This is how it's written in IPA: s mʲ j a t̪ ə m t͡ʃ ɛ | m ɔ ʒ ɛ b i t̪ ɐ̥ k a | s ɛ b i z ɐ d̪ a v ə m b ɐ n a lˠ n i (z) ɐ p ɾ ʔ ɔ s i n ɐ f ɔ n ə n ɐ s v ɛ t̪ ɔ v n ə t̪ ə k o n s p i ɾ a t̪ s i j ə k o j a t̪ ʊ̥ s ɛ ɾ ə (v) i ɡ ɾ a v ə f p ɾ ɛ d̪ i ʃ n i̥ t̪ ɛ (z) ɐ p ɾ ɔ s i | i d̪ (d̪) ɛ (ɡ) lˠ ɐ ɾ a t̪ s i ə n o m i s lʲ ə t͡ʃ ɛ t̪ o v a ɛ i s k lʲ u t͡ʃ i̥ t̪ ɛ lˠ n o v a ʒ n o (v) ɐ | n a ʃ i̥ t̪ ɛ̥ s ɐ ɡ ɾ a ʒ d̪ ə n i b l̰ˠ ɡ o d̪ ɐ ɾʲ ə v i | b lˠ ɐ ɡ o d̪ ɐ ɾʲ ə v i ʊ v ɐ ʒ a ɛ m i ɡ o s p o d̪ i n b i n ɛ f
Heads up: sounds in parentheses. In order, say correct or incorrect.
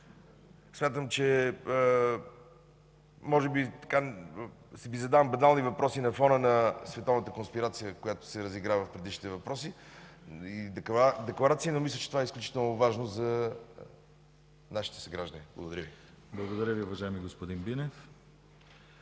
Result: incorrect: v, incorrect: z, incorrect: v, correct, incorrect: k, incorrect: z

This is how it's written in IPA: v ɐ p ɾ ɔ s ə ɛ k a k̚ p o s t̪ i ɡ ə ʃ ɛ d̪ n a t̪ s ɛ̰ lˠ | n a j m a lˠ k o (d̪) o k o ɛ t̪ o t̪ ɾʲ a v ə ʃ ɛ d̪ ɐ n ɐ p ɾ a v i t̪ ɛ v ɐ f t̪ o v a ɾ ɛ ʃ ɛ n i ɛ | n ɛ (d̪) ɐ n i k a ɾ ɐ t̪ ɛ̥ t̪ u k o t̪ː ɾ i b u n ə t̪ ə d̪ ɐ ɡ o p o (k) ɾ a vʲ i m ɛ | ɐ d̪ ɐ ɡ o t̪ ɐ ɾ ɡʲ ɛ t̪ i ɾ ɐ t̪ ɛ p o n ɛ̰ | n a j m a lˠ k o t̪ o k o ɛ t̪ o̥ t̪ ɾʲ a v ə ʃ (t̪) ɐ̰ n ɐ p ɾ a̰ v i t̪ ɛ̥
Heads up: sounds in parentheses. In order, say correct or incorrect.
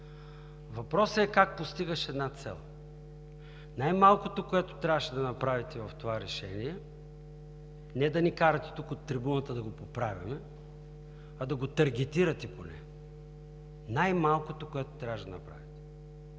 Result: incorrect: t̪, correct, incorrect: p, incorrect: d̪

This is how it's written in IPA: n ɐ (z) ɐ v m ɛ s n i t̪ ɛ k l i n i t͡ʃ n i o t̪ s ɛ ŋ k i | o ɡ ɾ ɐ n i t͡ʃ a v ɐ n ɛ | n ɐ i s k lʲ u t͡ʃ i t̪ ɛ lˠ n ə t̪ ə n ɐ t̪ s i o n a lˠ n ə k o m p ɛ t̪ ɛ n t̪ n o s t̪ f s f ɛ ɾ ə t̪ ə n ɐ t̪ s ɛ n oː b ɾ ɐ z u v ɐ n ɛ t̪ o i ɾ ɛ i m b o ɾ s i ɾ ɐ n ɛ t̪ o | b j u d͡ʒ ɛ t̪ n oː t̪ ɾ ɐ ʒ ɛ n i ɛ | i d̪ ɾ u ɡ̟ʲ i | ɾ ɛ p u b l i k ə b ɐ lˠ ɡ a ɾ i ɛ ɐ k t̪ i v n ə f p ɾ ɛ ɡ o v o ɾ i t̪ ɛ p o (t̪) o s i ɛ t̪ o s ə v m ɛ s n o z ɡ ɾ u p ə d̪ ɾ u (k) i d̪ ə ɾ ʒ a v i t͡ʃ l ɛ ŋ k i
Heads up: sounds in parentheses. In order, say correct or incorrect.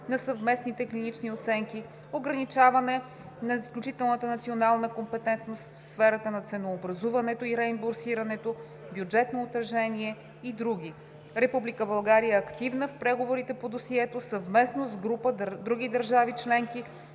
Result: incorrect: s, incorrect: d̪, incorrect: ɡ

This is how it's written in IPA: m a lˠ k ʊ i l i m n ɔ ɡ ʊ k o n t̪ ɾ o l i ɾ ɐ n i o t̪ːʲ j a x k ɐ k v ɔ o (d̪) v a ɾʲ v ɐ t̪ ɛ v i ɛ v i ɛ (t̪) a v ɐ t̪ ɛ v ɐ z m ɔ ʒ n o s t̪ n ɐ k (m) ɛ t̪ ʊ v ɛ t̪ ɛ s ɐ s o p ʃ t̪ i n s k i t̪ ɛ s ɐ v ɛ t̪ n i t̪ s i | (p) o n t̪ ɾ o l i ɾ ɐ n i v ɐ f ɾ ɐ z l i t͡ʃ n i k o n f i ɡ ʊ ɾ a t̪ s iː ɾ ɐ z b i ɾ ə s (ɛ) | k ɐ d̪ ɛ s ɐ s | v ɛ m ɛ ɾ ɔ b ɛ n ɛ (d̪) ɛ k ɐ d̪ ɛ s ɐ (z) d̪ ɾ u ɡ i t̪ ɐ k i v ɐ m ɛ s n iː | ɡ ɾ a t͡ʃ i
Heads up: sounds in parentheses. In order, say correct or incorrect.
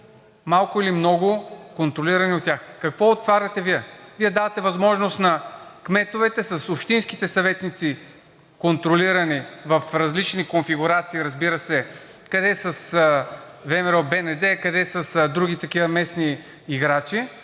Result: incorrect: t̪, incorrect: d̪, correct, incorrect: k, correct, correct, incorrect: s

